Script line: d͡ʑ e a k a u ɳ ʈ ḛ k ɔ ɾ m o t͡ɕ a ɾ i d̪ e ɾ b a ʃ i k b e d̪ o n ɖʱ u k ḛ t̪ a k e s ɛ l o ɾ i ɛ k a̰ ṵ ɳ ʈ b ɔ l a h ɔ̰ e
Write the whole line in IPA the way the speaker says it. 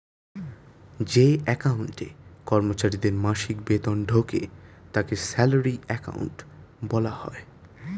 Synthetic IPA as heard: d͡ʑ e ɛ k a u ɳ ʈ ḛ k ɔ ɾ m o t͡ɕ a ɾ i d̪ e ɾ m a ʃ i k b e t̪ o n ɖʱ o k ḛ t̪ a k e s ɛ l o ɾ i ɛ k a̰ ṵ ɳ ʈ b ɔ l a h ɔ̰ e